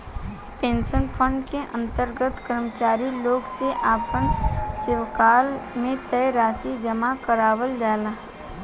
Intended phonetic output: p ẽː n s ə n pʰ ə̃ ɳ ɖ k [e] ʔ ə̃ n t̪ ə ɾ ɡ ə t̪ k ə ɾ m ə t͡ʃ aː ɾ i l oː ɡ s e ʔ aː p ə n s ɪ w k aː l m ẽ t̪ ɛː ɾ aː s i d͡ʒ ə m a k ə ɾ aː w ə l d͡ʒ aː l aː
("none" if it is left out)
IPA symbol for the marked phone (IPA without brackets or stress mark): e